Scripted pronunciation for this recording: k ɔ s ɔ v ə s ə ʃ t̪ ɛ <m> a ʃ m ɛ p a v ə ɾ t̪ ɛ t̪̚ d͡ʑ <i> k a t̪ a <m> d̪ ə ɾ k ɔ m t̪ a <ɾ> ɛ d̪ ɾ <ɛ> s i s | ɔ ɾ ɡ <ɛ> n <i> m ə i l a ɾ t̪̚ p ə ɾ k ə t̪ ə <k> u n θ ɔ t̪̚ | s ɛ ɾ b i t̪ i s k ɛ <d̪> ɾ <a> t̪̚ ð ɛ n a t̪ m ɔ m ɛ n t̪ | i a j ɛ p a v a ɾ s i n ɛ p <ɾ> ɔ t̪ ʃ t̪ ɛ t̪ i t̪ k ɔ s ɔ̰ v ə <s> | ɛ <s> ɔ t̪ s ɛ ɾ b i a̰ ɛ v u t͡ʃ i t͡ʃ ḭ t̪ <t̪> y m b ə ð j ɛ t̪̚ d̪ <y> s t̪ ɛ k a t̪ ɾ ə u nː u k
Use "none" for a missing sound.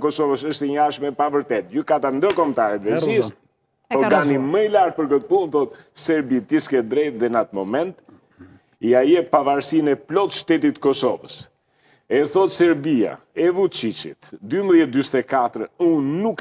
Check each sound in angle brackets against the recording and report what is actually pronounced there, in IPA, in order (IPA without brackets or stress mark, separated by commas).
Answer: ɲ, y, n, ɾ, ɛ, a, i, p, d̪, ɛ, l, s, θ, d̪, y